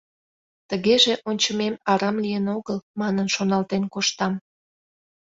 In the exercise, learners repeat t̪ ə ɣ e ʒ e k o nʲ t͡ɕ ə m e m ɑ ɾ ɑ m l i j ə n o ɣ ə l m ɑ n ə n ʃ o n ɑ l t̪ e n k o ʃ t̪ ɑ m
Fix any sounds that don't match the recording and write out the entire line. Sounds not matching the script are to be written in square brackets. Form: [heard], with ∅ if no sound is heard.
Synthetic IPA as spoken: t̪ ə ɣ e ʒ e [ʔ] o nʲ t͡ɕ ə m e m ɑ ɾ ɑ m l i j ə n o ɣ ə l m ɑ n ə n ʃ o n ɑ l t̪ e n k o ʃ t̪ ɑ m